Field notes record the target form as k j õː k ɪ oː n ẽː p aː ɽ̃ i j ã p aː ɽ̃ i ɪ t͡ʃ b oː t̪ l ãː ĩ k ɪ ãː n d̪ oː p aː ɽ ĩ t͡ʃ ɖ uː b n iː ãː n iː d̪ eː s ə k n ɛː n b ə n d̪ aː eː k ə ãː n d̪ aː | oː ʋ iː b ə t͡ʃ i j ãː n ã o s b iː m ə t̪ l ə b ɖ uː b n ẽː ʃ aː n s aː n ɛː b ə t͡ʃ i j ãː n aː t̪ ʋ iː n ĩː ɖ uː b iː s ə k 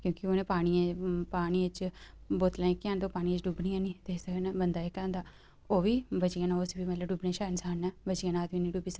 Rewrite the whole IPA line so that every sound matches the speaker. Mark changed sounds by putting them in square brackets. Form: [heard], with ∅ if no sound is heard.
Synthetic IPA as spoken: k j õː k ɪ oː n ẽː p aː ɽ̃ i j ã p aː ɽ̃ i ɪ t͡ʃ b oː t̪ l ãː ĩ k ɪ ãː n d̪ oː p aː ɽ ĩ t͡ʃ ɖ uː b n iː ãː n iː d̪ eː s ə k n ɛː [∅] b ə n d̪ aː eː k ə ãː n d̪ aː | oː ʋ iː b ə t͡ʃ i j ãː n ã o s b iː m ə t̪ l ə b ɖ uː b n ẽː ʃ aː n s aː n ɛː b ə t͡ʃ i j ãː n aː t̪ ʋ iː n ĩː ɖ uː b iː s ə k